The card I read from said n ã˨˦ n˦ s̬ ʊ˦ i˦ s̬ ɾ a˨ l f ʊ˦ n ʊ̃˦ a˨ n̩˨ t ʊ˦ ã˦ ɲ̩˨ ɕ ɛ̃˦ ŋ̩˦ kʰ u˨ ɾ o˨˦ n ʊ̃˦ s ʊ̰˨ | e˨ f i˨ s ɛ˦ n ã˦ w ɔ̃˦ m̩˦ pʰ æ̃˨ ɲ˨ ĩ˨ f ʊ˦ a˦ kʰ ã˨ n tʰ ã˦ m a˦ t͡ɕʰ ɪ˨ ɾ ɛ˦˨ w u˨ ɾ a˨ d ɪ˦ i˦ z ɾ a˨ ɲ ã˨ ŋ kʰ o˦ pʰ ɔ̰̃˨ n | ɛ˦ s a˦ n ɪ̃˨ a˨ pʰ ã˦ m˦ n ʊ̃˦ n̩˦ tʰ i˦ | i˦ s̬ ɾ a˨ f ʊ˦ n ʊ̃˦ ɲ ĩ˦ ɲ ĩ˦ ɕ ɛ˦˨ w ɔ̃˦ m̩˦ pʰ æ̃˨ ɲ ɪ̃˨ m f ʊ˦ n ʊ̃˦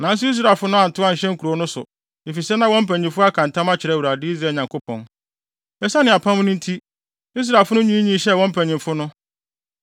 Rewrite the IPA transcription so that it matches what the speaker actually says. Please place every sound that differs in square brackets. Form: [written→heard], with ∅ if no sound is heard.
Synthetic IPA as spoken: n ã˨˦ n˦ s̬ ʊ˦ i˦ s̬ ɾ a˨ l f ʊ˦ n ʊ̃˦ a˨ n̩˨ t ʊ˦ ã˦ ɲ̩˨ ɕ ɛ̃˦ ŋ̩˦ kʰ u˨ ɾ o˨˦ n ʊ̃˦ s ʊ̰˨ | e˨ f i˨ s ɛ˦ n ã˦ w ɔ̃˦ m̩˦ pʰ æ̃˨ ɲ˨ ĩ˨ f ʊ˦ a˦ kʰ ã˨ n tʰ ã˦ m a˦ t͡ɕʰ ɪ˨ ɾ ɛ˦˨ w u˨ ɾ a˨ d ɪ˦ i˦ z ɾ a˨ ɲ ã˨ ŋ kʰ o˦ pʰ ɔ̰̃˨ n | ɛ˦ s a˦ n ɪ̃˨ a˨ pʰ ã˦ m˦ n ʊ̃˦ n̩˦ tʰ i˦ | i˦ s̬ ɾ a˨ f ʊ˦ n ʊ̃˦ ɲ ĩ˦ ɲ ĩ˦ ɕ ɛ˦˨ w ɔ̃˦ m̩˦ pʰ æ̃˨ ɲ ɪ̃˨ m f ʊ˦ n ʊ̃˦